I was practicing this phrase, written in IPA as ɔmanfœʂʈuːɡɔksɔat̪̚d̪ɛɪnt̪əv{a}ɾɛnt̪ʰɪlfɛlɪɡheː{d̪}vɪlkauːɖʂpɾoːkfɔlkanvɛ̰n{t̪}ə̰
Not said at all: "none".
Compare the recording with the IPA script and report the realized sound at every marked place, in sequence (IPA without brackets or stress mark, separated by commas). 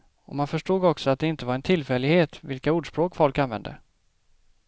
a, t̪, d̪